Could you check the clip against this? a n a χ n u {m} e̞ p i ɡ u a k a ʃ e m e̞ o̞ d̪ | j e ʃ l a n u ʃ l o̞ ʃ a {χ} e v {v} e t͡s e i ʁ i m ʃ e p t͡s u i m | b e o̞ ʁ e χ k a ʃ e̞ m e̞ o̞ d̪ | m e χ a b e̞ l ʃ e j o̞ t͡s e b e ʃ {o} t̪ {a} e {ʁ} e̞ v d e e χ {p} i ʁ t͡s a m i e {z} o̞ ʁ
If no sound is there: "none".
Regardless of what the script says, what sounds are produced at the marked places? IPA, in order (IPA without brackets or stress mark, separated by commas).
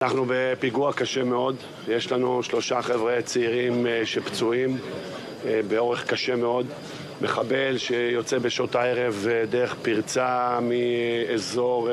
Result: b, χ, ʁ, o, a, ʁ, p, z